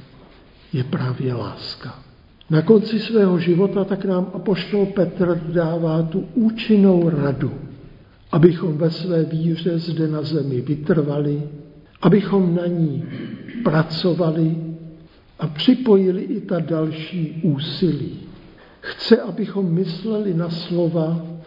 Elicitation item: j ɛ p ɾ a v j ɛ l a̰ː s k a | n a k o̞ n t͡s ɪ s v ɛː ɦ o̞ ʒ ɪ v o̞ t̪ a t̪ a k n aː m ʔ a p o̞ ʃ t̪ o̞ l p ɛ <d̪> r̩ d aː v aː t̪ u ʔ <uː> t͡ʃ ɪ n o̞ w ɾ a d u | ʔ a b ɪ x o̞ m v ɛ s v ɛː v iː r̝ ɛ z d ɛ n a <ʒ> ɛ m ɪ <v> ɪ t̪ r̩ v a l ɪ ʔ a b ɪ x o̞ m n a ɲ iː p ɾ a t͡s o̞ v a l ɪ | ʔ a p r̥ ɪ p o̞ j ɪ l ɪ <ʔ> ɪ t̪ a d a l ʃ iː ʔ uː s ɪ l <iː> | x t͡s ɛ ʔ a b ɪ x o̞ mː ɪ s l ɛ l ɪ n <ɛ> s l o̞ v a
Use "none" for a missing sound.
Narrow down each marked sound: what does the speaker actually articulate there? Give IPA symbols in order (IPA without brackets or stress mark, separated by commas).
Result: t̪, uː, z, v, ʔ, iː, a